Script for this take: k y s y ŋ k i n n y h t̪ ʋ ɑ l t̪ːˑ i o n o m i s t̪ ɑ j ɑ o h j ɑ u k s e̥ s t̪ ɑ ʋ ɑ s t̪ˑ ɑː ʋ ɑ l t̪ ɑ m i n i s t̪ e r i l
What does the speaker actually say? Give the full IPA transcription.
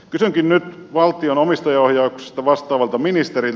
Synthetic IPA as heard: k y s y ŋ k i n n y t̪ ʋ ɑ l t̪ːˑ i o n o m i s t̪ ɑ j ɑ o h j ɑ u k s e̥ s t̪ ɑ ʋ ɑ s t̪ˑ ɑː ʋ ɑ l t̪ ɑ m i n i s t̪ e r i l

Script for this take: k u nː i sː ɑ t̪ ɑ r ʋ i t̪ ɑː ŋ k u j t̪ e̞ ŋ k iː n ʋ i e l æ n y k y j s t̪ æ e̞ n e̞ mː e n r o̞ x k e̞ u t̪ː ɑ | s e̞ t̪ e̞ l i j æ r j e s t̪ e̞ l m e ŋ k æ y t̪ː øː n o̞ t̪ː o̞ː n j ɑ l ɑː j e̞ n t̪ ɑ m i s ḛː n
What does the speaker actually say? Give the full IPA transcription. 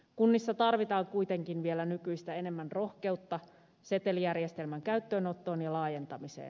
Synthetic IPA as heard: k u nː i sː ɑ t̪ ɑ r ʋ i t̪ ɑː ŋ k u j t̪ e̞ ŋ k i n ʋ i e l æ n y k y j s t̪ æ e̞ n e̞ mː æ n r o̞ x k e̞ u t̪ː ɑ | s e̞ t̪ e̞ l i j æ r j e s t̪ e̞ l m æ ŋ k æ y t̪ː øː n o̞ t̪ː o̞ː n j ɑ l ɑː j e̞ n t̪ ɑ m i s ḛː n

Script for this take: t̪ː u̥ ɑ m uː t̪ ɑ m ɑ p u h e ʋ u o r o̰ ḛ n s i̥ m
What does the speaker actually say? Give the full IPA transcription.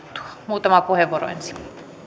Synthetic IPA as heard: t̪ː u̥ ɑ m uː t̪ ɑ m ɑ p u h e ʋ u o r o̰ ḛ n s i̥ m

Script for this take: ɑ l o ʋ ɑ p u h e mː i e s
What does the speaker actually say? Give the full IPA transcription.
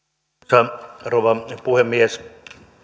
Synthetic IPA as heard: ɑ r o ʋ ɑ p u h e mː i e s

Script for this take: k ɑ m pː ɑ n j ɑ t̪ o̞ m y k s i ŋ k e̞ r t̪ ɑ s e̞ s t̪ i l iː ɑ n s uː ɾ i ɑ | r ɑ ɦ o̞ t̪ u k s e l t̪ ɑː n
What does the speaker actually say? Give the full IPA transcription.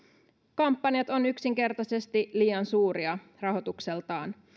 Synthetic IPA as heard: k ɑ m pː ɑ n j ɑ t̪ o̞ n y k s i ŋ k e̞ r t̪ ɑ s e̞ s t̪ i l iː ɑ n s uː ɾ i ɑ | r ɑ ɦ o̞ t̪ u k s e l t̪ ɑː n

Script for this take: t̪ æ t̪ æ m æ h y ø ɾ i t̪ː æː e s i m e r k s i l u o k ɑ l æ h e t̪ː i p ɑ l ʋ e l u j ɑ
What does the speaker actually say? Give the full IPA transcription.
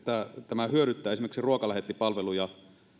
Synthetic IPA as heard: t̪ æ t̪ æ m æ h y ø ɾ y t̪ː æː e s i m e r k s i r u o k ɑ l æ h e t̪ː i p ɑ l ʋ e l u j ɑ

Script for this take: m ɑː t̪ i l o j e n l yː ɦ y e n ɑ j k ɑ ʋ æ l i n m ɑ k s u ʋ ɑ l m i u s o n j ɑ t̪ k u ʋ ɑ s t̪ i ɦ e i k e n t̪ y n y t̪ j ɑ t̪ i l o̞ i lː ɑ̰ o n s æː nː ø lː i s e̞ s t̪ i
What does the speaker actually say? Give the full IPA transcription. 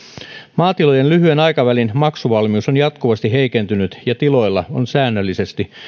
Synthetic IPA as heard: m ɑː t̪ i l o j e n l y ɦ y e n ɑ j k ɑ ʋ æ l i n m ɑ k s u ʋ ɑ l m i u s o n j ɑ t̪ k u ʋ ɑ s t̪ i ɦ e i k e n t̪ y n y t̪ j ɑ t̪ i l o̞ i lː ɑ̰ o n s æː nː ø lː i s e̞ s t̪ i

